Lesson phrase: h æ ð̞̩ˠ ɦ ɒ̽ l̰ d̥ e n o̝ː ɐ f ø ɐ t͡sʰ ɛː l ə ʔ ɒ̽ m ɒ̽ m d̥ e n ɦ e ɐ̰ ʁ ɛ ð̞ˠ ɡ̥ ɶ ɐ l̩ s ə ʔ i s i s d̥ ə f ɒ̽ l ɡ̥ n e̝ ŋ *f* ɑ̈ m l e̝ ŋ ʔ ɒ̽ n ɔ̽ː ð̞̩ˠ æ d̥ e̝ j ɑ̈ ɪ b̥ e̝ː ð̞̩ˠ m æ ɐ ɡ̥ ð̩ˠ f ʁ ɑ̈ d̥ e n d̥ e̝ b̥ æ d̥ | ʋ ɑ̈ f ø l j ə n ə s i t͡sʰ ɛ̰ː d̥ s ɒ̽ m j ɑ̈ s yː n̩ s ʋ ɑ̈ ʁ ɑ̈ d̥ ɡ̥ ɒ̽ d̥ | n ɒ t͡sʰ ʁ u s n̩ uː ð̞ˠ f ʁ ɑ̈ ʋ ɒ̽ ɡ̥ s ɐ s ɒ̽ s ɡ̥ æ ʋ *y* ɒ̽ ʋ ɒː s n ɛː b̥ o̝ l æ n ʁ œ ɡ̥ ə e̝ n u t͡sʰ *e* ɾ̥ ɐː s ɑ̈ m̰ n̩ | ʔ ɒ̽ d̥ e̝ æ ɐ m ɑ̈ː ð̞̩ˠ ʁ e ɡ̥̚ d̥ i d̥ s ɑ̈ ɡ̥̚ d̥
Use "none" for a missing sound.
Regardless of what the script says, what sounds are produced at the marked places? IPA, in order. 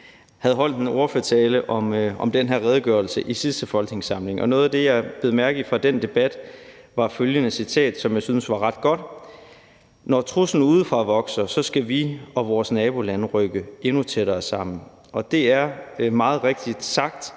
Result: s, i, e

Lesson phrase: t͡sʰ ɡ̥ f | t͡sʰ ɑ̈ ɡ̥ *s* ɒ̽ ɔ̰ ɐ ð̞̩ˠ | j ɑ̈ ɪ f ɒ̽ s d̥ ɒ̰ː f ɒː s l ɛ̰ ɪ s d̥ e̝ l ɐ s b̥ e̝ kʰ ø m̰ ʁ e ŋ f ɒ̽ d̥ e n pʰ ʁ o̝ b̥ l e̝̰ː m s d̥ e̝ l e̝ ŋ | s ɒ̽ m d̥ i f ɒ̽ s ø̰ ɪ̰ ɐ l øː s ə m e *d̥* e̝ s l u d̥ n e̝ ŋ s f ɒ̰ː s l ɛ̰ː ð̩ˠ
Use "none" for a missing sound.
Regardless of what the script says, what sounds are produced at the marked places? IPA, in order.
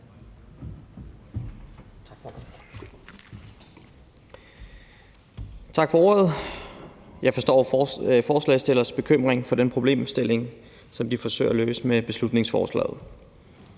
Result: f, b̥

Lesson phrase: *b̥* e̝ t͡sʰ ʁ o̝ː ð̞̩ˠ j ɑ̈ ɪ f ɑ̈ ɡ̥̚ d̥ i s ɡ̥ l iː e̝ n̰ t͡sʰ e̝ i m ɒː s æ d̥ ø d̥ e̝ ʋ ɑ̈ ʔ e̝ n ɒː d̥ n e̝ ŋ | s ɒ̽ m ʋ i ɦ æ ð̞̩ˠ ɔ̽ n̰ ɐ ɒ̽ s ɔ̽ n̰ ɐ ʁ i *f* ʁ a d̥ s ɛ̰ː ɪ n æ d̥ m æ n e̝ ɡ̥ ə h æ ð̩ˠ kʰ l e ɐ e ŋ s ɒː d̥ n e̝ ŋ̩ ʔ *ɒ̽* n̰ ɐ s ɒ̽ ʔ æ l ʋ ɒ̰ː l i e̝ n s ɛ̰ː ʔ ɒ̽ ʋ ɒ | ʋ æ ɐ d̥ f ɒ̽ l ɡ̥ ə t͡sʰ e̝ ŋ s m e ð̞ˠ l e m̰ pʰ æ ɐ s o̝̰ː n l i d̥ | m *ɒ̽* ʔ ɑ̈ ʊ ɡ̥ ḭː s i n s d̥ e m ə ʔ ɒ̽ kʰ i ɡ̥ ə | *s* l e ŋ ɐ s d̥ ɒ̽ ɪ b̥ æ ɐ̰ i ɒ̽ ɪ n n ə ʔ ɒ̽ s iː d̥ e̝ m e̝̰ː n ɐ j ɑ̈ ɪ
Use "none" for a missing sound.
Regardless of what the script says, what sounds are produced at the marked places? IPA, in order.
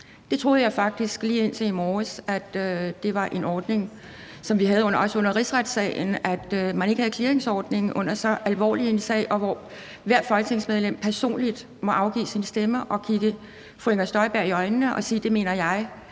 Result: d̥, s, ɔ̽, ɒ̽, f

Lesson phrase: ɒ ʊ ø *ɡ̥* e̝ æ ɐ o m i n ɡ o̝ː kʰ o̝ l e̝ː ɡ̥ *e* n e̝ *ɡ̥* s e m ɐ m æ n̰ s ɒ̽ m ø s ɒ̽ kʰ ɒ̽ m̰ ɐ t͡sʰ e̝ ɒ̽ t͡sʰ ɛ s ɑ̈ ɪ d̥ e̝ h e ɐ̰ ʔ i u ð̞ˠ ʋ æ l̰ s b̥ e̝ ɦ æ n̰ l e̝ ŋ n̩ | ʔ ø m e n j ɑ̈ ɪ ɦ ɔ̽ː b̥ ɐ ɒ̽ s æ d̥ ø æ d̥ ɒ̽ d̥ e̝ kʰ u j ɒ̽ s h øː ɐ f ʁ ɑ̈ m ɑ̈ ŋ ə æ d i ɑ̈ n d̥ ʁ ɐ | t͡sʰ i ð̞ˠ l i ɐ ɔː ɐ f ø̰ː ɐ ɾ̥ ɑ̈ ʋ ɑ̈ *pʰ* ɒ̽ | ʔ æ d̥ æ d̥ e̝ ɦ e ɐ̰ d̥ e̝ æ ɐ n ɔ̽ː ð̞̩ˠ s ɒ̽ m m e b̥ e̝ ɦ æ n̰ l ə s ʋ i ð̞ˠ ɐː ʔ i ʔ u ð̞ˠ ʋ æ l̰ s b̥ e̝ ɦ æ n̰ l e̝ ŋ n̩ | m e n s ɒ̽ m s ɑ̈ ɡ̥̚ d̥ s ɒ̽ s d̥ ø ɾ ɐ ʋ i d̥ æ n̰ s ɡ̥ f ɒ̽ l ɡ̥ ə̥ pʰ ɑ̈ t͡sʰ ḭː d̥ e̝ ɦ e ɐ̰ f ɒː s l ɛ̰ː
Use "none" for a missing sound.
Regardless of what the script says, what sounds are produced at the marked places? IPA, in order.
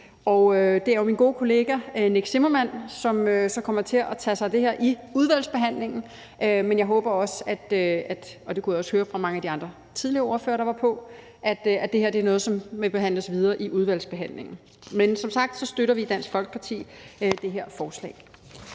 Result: d̥, æ, ɡ̥, pʰ

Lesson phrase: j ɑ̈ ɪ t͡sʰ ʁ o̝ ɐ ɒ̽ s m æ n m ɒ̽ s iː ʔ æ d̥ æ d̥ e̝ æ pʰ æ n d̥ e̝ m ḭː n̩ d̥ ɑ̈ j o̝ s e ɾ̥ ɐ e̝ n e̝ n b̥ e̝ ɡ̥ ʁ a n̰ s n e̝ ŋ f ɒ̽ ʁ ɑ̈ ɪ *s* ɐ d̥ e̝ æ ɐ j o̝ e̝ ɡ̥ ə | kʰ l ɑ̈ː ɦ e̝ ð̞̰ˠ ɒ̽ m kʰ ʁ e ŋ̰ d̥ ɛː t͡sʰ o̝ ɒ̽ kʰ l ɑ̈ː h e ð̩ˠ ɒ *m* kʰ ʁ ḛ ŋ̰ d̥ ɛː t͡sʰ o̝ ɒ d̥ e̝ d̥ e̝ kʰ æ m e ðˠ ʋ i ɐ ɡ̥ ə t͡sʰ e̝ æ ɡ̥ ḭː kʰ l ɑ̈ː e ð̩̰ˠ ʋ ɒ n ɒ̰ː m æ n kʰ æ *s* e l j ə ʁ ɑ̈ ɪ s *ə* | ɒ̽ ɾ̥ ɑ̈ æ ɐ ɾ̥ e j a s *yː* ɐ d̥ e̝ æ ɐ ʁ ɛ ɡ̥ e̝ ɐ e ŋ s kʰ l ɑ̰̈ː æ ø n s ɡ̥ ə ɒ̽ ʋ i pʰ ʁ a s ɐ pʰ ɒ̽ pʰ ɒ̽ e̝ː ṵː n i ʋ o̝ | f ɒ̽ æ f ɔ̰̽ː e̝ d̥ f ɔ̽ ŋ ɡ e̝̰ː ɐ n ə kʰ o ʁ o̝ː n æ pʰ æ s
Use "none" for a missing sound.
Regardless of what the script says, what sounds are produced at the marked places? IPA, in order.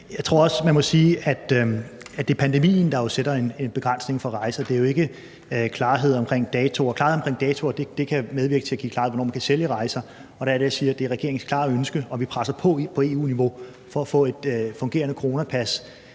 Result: s, m, s, ɐ, iː

